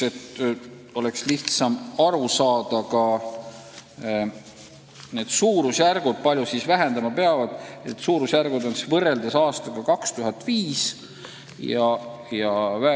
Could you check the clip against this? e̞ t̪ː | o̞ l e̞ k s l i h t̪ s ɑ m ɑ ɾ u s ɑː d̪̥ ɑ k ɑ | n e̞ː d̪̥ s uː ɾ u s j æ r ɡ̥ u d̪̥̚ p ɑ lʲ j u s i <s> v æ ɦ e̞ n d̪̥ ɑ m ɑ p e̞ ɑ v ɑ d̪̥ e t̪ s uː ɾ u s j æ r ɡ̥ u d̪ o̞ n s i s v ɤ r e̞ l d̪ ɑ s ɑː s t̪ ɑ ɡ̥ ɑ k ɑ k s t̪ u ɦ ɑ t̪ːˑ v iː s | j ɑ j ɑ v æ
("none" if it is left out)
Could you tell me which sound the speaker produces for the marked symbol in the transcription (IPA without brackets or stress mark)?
s